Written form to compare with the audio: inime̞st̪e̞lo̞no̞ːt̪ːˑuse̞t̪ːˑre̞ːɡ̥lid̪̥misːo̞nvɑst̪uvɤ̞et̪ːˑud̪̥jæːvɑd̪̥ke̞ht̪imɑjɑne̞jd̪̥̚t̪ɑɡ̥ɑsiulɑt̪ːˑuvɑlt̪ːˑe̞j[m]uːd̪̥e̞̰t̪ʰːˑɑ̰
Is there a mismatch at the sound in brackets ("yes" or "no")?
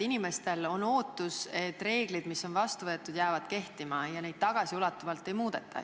no